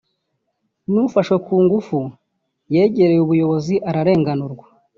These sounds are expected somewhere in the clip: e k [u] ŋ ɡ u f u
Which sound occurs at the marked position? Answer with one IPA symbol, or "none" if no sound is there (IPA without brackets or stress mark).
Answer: uː